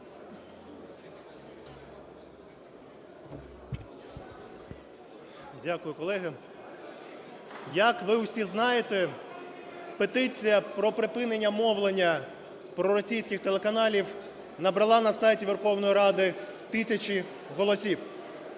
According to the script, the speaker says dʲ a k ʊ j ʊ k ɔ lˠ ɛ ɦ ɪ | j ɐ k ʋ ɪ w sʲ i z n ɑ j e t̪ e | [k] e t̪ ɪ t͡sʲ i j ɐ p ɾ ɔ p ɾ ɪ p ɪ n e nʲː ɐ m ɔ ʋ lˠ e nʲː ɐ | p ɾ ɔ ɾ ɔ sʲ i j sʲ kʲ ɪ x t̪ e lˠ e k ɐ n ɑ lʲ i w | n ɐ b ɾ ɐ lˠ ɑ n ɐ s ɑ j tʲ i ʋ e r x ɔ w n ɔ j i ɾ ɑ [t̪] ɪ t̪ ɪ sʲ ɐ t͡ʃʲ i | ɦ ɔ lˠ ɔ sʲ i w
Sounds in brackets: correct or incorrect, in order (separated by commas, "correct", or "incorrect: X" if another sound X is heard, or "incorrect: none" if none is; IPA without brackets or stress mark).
incorrect: p, incorrect: d̪